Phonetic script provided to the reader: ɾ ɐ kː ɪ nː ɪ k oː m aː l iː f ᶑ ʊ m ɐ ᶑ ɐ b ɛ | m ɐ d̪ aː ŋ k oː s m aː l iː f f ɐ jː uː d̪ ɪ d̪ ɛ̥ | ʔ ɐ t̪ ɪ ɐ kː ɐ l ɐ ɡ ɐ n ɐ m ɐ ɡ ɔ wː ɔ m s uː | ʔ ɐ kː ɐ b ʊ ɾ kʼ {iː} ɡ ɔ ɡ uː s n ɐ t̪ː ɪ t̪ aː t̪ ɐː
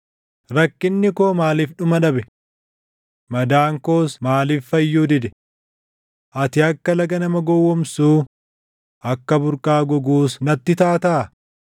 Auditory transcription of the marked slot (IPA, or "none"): aː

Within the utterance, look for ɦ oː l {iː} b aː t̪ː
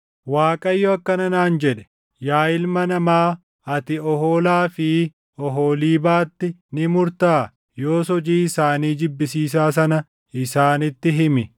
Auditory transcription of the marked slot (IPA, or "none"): iː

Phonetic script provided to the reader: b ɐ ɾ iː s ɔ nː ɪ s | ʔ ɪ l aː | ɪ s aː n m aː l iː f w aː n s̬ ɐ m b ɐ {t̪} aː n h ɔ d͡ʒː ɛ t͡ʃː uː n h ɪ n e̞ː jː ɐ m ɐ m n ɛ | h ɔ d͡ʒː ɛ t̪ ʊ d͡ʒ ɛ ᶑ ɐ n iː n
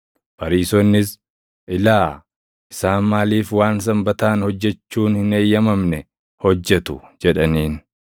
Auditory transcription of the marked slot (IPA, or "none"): t̪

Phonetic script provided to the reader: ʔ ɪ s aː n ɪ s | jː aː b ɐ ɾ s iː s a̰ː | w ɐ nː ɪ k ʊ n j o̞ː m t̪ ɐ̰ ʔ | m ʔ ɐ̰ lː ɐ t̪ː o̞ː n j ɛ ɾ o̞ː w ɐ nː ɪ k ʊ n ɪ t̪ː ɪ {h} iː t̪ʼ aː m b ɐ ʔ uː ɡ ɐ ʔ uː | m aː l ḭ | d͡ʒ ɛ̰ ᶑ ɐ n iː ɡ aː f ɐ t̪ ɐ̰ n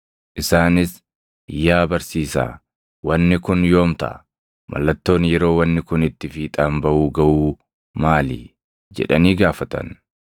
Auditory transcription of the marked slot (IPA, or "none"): f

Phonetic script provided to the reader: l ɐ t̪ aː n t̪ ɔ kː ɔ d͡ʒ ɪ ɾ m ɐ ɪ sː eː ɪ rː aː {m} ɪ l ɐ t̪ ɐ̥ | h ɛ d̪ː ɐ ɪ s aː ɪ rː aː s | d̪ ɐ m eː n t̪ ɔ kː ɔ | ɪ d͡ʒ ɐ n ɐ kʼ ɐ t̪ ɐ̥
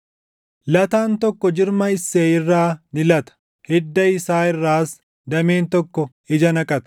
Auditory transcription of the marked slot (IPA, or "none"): n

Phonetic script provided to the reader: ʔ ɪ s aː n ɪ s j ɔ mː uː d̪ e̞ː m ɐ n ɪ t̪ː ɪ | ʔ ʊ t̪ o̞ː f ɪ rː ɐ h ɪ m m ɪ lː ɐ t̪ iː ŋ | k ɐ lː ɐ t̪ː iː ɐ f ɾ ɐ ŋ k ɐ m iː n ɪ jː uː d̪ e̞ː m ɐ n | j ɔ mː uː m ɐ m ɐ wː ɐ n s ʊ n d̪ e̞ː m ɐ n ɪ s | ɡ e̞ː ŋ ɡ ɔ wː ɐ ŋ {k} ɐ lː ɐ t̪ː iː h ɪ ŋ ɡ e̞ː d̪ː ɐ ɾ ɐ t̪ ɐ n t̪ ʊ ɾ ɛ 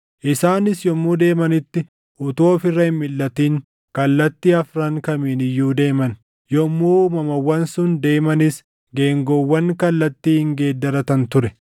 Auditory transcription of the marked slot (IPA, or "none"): k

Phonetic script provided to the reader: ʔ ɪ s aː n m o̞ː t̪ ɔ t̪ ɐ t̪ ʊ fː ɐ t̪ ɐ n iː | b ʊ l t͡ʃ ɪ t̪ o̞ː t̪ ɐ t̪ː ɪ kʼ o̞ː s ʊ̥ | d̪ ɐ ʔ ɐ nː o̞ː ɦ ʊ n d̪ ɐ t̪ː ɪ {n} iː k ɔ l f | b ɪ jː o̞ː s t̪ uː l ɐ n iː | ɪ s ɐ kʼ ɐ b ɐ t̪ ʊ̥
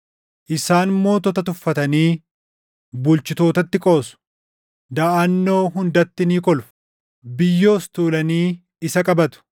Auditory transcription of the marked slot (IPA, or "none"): n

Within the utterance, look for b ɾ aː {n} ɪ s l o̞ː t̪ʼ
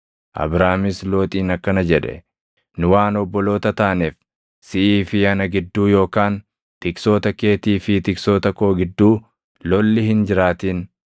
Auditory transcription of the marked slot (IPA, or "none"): m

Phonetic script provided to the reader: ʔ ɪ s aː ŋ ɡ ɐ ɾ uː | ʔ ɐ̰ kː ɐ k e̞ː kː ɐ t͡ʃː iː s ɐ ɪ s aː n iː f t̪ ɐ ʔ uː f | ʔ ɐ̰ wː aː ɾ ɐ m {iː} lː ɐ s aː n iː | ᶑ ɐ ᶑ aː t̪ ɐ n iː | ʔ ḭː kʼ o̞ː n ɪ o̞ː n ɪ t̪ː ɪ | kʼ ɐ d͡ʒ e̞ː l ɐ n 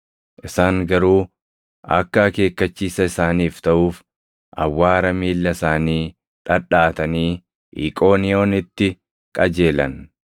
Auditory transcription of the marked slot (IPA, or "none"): iː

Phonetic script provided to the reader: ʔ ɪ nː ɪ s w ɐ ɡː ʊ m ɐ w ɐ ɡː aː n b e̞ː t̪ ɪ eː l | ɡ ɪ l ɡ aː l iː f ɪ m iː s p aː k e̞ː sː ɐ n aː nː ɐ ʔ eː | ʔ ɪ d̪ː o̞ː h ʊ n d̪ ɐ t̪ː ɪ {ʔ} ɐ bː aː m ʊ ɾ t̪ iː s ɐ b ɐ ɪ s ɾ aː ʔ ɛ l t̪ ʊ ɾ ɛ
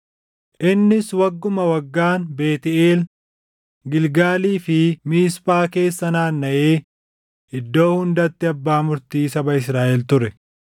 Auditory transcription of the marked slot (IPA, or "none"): none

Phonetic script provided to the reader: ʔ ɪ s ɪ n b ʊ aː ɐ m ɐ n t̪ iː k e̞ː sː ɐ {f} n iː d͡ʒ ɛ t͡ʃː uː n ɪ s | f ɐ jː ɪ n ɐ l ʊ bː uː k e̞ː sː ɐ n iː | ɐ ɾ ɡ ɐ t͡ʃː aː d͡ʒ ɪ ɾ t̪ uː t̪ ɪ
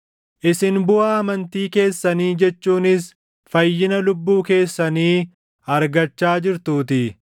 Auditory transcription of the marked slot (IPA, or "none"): none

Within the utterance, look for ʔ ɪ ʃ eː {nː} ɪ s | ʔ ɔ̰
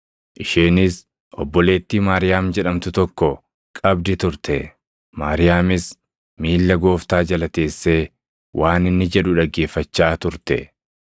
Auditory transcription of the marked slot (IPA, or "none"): n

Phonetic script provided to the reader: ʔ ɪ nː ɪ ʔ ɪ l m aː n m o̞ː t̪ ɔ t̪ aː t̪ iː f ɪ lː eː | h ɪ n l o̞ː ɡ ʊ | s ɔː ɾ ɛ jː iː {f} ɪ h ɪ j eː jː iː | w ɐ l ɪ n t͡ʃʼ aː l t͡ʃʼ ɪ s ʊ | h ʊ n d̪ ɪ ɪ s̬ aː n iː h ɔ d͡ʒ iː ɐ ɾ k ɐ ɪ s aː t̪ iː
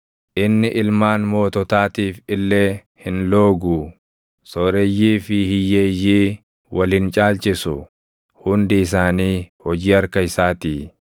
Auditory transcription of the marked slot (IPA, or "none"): f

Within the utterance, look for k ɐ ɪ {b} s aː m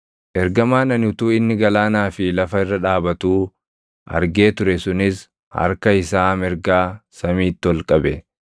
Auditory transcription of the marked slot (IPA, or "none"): none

